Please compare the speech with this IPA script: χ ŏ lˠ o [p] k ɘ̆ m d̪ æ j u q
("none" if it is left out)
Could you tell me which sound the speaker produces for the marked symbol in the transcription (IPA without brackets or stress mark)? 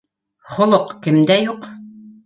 q